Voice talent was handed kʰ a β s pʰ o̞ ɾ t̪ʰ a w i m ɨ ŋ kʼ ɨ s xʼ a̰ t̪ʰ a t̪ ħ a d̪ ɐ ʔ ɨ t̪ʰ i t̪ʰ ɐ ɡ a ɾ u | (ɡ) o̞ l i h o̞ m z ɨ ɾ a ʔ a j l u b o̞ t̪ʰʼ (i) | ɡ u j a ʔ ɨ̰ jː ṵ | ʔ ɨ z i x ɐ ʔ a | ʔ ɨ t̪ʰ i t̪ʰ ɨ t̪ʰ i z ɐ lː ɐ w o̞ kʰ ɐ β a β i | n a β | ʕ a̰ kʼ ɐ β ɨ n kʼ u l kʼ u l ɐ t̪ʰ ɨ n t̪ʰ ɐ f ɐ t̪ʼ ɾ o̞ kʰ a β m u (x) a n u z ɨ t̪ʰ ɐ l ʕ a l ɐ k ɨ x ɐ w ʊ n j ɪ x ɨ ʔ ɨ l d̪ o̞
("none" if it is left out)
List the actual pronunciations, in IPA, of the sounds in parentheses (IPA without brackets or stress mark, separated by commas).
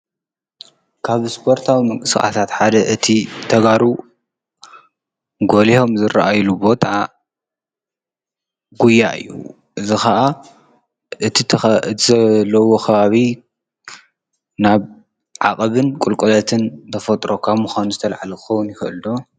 ɡ, a, x